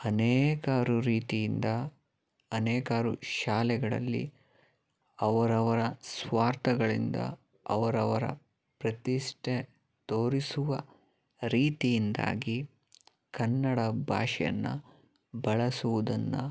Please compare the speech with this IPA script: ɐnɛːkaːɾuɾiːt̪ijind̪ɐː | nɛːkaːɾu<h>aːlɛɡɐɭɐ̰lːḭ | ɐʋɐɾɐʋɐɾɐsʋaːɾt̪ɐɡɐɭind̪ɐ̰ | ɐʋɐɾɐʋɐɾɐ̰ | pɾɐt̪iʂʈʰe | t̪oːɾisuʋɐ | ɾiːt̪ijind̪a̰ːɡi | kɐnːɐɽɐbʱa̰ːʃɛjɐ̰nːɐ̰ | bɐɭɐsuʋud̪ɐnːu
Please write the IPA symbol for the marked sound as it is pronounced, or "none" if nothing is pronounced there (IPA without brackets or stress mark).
ʃ